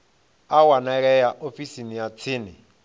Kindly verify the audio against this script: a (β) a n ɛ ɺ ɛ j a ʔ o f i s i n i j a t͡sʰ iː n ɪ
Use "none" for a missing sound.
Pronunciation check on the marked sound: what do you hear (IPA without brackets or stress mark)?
w